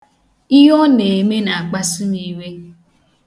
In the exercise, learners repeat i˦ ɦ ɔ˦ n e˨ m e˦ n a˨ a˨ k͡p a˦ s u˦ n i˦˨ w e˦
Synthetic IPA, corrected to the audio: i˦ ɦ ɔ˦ n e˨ m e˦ n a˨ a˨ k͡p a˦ s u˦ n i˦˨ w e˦